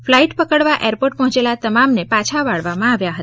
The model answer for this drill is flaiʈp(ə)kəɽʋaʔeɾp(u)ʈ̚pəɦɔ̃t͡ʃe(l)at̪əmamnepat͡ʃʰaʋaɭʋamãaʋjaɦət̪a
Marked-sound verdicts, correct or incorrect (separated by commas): correct, incorrect, correct